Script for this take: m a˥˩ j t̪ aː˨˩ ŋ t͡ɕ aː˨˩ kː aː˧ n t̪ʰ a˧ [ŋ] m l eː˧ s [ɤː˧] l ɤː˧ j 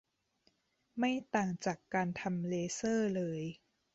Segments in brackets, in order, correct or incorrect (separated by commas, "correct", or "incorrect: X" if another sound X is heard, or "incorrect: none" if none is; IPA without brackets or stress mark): incorrect: none, incorrect: ɤː˥˩